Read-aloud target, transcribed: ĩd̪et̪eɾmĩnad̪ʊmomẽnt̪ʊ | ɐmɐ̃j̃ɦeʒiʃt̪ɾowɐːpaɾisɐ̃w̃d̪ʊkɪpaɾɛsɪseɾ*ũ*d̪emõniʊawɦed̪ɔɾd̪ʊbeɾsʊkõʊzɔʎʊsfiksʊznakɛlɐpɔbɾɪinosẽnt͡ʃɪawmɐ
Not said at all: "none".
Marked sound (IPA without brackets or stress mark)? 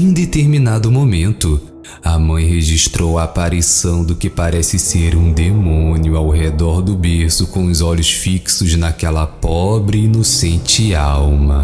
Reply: ũ